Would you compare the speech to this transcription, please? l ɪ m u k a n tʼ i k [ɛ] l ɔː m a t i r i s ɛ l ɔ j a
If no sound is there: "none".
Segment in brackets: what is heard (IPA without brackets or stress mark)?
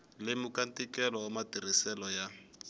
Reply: ɛ